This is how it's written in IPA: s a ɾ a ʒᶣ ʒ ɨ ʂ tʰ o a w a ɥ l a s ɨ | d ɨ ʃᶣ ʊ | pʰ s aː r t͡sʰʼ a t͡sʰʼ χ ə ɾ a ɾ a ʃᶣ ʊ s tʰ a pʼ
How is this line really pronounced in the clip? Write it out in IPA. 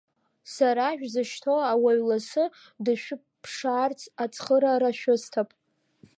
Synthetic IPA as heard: s a ɾ a ʒᶣ z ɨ ʃ tʰ o a w a ɥ l a s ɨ | d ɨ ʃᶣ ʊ | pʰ ʂ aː r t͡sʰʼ a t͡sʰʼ χ ə ɾ a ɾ a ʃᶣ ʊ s tʰ a pʼ